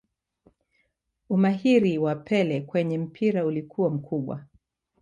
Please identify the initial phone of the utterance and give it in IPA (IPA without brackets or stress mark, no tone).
u